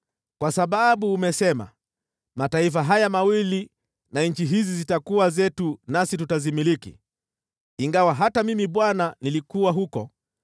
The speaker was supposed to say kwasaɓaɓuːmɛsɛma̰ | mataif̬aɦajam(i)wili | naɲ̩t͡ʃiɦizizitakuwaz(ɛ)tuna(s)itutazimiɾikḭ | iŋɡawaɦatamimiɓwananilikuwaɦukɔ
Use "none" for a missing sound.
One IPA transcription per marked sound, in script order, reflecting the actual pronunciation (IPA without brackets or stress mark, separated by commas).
a, ɛ, s